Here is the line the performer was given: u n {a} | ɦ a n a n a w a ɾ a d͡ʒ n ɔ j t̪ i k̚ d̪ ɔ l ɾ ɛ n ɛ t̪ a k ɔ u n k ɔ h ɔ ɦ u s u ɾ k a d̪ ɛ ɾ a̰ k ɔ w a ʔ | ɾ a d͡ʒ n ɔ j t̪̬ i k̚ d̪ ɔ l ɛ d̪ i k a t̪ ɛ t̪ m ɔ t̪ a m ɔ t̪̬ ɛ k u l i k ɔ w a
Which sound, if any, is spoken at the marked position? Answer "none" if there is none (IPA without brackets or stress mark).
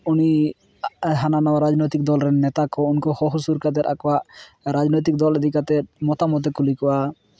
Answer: i